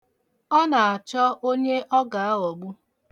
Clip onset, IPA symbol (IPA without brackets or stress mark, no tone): ɔ